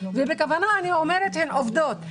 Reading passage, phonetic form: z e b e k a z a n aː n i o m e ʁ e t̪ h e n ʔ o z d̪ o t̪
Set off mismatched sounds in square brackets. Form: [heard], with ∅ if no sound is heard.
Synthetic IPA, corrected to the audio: [v] e b e k a [v] a n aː n i o m e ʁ e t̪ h e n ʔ o [v] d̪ o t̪